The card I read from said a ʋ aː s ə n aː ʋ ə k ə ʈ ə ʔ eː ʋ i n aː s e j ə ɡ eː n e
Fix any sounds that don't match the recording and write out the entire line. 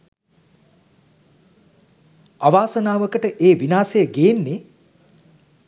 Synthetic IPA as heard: a ʋ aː s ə n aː ʋ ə k ə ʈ ə ʔ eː ʋ i n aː s e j ə ɡ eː nː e